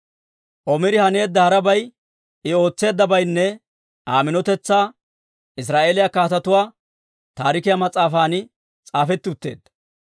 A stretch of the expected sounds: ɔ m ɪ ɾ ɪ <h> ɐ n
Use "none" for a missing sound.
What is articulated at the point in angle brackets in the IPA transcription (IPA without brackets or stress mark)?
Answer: h